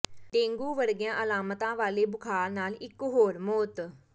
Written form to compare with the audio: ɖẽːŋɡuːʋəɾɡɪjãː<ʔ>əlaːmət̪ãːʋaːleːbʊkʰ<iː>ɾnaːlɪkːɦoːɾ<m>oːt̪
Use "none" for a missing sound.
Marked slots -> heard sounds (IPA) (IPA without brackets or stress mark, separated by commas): ʔ, aː, m